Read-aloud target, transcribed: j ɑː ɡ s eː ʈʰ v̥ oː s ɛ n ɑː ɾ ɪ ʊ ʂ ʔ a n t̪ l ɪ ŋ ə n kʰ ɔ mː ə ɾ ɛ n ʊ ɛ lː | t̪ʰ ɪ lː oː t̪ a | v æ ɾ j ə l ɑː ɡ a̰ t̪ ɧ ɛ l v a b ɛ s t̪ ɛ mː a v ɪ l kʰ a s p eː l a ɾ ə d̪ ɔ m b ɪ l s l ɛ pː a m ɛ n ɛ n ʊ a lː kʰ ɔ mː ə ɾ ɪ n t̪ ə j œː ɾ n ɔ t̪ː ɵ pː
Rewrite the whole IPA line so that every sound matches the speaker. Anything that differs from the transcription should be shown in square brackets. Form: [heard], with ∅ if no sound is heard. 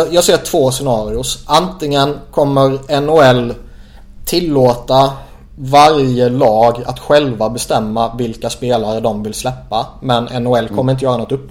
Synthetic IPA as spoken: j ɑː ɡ s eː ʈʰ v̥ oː s ɛ n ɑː ɾ ɪ ʊ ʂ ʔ a n t̪ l ɪ ŋ ə n kʰ ɔ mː ə ɾ ɛ n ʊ ɛ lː | t̪ʰ ɪ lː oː t̪ a | v [a] ɾ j ə l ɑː ɡ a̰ t̪ ɧ ɛ l v a b ɛ s t̪ ɛ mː a v ɪ l [k] a s p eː l a ɾ ə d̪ ɔ m [v] ɪ l s l ɛ pː a m ɛ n ɛ n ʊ [ɛ] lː kʰ ɔ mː ə ɾ ɪ n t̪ ə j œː ɾ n ɔ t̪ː ɵ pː